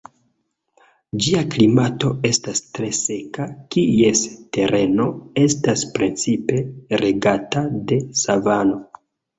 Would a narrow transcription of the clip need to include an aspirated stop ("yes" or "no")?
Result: no